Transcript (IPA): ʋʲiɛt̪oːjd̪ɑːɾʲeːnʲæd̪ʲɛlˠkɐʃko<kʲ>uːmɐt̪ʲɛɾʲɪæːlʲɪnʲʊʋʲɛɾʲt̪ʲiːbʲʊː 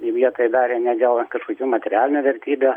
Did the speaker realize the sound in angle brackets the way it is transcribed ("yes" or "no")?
yes